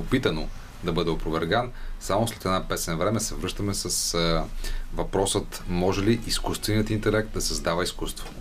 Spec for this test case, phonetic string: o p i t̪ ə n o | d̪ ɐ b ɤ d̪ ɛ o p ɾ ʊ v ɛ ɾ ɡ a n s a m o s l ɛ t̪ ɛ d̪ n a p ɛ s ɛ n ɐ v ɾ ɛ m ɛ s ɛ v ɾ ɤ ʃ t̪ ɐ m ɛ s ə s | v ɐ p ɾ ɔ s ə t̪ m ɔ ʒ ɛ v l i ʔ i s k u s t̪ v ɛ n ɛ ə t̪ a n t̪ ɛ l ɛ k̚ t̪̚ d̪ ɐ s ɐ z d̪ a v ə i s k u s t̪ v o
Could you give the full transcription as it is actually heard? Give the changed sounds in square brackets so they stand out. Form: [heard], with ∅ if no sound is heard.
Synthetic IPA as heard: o p i t̪ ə n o | d̪ ɐ b ɤ d̪ ɛ o p ɾ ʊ v ɛ ɾ ɡ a n s a m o s l ɛ t̪ ɛ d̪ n a p ɛ s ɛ n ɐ v ɾ ɛ m ɛ s ɛ v ɾ ɤ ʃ t̪ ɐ m ɛ s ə s | v ɐ p ɾ ɔ s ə t̪ m ɔ ʒ ɛ [∅] l i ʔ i s k u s t̪ v ɛ n [i] ə t̪ [i] n t̪ ɛ l ɛ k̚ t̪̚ d̪ ɐ s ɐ z d̪ a v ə i s k u s t̪ v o